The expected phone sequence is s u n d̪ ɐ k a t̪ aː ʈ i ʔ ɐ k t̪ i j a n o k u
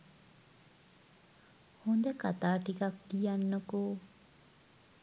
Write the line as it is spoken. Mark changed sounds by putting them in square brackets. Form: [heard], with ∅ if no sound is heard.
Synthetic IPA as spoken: [h] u n d̪ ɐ k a t̪ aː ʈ i [k] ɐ k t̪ i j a [nː] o k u